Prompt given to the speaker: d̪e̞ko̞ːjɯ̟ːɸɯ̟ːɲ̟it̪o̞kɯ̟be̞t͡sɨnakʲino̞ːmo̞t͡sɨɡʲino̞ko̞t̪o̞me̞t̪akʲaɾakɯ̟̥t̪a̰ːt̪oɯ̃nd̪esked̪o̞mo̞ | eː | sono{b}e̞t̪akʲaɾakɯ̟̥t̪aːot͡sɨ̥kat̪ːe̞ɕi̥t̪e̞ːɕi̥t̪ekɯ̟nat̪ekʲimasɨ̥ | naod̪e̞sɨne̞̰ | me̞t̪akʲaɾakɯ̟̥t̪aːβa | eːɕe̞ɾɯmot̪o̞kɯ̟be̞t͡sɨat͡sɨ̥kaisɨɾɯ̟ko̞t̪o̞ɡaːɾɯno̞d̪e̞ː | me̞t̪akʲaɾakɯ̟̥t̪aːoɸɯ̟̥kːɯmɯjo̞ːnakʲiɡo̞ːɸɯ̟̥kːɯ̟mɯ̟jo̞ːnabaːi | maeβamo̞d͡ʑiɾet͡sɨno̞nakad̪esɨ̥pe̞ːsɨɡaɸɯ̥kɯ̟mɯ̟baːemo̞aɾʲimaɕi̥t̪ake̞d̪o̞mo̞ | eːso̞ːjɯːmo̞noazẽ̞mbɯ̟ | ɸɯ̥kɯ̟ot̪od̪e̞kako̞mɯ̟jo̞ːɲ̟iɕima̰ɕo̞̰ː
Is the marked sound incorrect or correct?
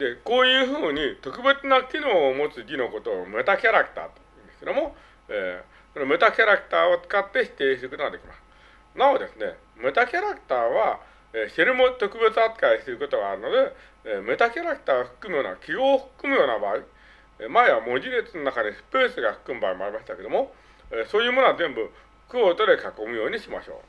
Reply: incorrect